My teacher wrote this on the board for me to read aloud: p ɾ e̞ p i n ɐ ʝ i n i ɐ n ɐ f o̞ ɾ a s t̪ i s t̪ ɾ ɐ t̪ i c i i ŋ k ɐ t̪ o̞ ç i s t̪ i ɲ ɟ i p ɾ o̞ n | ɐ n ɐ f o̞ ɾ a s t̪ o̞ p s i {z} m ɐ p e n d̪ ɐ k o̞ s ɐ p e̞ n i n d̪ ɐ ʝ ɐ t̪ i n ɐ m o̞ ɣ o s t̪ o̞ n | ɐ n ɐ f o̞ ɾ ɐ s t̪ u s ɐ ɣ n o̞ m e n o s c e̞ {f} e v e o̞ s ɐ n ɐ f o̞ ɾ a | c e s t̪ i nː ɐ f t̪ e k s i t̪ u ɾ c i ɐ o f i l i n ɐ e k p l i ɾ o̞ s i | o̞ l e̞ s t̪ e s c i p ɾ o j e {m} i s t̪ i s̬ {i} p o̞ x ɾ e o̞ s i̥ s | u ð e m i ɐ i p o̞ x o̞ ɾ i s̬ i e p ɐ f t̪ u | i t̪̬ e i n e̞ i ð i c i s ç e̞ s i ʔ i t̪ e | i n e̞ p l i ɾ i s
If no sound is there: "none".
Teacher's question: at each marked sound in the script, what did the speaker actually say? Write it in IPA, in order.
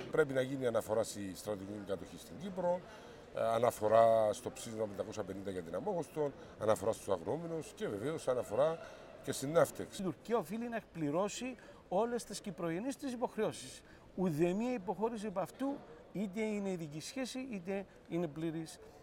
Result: z, v, n, i

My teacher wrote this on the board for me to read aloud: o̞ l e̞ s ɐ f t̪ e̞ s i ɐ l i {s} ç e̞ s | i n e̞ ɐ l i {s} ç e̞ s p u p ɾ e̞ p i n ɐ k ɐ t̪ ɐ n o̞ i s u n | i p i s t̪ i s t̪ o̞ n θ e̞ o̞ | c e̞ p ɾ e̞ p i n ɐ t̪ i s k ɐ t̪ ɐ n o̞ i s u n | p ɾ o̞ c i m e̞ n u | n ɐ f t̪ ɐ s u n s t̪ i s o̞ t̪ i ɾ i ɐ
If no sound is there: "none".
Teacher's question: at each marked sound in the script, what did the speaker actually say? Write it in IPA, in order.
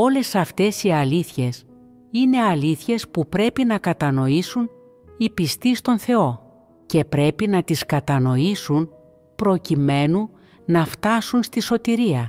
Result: θ, θ

